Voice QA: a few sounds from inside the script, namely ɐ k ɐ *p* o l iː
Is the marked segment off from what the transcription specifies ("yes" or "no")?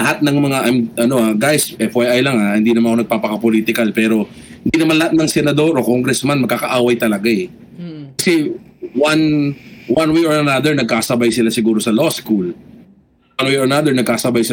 no